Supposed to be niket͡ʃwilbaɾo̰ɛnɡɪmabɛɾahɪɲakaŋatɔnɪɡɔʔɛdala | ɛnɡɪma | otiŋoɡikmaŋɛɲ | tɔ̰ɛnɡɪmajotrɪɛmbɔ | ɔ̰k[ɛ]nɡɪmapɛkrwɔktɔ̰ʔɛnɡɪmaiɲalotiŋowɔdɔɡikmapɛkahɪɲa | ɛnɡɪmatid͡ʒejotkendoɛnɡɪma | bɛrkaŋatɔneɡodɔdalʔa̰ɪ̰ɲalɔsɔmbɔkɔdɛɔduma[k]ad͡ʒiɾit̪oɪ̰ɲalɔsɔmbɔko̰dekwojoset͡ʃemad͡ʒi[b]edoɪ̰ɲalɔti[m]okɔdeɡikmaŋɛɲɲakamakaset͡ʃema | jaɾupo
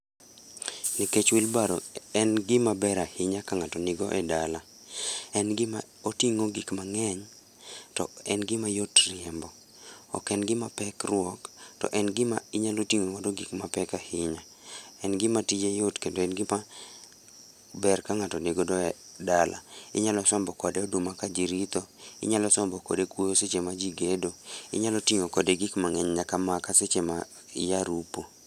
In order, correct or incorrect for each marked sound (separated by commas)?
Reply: correct, correct, incorrect, incorrect